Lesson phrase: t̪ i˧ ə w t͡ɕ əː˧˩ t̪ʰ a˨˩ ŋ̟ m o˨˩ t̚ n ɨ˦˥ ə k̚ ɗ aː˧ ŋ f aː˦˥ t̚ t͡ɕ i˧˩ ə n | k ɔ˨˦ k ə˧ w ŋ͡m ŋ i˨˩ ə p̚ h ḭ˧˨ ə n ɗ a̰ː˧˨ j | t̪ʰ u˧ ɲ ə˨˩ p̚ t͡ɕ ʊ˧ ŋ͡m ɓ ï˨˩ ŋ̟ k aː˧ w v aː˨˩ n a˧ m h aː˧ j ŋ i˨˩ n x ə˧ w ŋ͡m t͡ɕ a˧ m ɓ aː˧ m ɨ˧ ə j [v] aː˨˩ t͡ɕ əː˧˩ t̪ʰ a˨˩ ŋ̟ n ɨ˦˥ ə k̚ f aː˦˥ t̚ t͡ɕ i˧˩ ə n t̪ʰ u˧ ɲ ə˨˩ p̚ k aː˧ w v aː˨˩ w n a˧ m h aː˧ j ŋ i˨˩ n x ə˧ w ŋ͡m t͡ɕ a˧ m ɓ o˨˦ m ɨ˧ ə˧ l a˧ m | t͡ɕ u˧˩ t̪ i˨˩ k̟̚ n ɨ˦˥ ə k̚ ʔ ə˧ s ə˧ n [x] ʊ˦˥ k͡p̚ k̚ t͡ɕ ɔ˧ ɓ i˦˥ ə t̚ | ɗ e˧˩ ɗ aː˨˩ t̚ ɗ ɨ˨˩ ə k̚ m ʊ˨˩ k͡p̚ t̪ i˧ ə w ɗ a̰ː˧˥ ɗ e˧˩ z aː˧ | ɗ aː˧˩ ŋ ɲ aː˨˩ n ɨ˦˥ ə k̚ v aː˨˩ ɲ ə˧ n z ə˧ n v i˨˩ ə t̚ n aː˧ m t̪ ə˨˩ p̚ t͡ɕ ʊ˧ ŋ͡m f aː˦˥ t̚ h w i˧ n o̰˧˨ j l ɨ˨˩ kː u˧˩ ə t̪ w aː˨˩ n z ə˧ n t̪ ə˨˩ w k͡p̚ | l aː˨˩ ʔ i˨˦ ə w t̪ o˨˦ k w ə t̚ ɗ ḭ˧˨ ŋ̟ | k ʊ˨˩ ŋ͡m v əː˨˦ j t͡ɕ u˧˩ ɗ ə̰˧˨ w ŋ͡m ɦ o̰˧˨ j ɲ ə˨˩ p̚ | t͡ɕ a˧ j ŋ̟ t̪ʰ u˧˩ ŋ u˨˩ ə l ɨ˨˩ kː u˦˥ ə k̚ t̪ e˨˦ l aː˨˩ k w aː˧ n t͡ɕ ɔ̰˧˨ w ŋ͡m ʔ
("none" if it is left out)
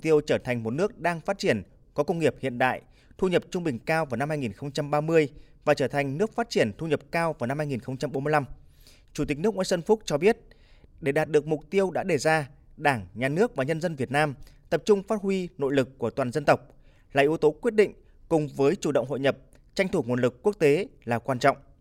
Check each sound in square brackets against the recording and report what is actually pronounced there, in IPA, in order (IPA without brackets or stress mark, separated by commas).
v, f